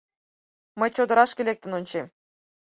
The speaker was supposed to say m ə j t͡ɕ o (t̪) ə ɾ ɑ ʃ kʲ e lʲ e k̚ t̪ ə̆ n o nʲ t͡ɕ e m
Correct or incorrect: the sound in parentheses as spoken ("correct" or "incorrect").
incorrect